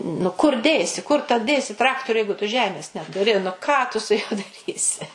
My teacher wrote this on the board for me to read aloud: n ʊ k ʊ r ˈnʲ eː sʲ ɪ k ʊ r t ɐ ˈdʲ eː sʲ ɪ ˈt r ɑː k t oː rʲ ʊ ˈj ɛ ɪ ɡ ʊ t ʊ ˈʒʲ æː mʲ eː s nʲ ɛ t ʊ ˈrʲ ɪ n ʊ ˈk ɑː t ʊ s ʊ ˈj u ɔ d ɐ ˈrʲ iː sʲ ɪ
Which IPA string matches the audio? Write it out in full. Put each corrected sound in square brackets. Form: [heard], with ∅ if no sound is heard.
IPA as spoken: n ʊ k ʊ r [ˈdʲ] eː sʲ ɪ k ʊ r t ɐ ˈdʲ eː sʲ ɪ ˈt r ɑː k t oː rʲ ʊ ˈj ɛ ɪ ɡ ʊ t ʊ ˈʒʲ æː mʲ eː s nʲ ɛ t ʊ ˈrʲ ɪ n ʊ ˈk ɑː t ʊ s ʊ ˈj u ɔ d ɐ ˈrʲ iː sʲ ɪ